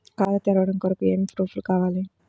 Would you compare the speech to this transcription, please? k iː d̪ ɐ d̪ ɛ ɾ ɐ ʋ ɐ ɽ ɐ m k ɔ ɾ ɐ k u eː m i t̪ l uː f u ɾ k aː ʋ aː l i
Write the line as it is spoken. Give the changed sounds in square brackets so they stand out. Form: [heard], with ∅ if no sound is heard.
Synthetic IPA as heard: k [aː] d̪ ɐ [t̪] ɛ ɾ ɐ ʋ ɐ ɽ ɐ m k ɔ ɾ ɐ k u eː m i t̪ [ɾ] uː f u [l] k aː ʋ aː l i